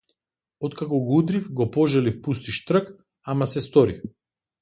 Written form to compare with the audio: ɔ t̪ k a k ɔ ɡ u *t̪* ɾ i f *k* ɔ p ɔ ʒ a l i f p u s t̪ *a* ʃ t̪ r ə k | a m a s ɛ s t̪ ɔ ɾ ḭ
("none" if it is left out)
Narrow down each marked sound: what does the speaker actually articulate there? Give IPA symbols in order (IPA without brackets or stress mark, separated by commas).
d̪, ɡ, i